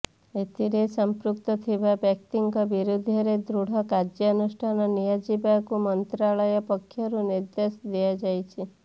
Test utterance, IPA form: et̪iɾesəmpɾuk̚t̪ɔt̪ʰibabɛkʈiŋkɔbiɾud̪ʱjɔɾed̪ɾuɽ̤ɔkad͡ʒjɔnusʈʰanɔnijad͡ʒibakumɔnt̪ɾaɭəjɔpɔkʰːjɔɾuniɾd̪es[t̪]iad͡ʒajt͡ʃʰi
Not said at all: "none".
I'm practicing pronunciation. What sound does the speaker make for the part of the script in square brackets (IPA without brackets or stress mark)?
d̪